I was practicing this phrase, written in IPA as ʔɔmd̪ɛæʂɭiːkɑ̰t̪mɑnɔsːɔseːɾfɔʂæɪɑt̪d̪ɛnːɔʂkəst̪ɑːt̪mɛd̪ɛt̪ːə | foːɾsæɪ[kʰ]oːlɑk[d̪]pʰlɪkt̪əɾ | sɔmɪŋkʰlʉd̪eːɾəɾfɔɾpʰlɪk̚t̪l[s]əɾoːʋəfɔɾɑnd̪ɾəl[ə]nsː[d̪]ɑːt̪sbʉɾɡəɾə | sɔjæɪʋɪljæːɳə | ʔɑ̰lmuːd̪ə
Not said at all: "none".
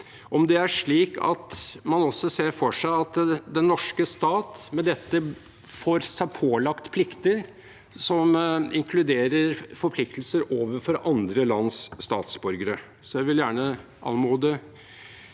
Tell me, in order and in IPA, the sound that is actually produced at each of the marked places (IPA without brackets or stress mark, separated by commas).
pʰ, t̪, s, ɑ, t̪